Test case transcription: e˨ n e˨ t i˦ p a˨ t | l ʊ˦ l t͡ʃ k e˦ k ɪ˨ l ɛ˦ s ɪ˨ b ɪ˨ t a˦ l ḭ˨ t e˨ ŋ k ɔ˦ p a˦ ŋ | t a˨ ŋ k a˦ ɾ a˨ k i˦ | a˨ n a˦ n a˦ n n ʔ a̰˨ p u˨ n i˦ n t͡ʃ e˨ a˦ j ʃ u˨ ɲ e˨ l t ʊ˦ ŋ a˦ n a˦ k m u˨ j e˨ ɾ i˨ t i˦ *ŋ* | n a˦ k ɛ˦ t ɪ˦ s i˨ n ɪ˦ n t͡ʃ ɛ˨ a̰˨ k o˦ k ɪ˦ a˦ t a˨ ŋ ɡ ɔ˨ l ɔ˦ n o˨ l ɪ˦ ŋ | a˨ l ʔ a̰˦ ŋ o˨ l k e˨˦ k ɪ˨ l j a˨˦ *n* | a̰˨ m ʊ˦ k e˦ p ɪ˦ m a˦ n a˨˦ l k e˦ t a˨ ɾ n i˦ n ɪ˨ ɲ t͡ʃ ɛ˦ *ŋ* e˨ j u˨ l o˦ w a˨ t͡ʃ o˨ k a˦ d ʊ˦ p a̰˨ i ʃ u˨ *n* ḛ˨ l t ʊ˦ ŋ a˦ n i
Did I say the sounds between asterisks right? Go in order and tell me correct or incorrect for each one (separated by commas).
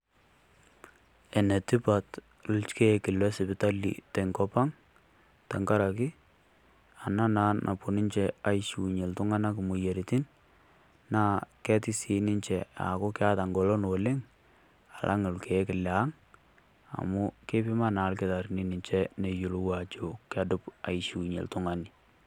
incorrect, incorrect, incorrect, incorrect